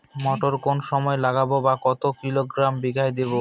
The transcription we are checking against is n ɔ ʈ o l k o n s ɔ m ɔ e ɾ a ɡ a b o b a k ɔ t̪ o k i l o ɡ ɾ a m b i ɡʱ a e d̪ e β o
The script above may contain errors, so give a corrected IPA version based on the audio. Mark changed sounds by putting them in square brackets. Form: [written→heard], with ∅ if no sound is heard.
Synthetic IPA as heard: [n→m] ɔ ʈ o [l→ɾ] k o n [s→ʃ] ɔ m ɔ e [ɾ→l] a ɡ a b o b a k ɔ t̪ o k i l o ɡ ɾ a m b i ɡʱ a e d̪ e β o